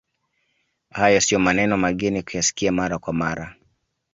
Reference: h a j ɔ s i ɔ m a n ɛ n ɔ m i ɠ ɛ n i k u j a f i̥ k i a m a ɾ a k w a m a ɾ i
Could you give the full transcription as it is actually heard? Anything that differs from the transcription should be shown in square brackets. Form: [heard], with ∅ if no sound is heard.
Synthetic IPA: h a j ɔ s i ɔ m a n ɛ n ɔ m [a] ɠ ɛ n i k u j a [s] i̥ k i a m a ɾ a k w a m a ɾ [a]